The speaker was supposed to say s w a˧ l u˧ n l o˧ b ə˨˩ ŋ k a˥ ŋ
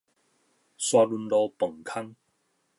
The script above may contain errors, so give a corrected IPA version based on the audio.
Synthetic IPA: s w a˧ l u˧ n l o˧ p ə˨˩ ŋ kʰ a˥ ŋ